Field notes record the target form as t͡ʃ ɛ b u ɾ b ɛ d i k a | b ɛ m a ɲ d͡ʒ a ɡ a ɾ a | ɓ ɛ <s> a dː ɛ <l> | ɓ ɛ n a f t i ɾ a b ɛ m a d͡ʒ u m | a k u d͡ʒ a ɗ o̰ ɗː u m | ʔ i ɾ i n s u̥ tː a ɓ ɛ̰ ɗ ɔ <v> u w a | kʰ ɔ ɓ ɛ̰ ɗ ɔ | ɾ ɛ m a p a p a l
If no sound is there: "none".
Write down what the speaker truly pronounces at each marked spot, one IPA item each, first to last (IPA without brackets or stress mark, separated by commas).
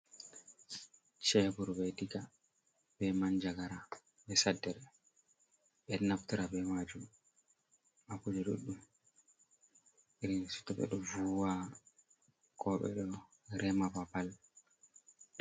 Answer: s, ɾ, v